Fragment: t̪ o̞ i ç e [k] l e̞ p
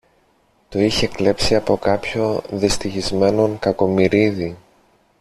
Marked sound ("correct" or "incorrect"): correct